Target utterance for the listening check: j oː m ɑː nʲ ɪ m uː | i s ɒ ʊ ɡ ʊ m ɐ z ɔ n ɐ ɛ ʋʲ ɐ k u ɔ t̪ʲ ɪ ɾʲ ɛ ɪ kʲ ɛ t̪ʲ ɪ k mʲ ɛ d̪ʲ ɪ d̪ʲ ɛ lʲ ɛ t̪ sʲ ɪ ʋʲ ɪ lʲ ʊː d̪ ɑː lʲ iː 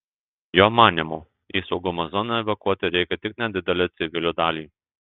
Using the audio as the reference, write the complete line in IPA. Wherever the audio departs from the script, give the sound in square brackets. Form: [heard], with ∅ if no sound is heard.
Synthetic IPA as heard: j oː m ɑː nʲ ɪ m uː | i s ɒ ʊ ɡ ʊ m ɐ z ɔ n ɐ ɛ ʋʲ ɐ k u ɔ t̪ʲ ɪ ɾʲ ɛ ɪ kʲ ɛ t̪ʲ ɪ k [nʲ] ɛ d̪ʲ ɪ d̪ʲ ɛ lʲ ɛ t̪ sʲ ɪ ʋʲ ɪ lʲ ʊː d̪ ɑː lʲ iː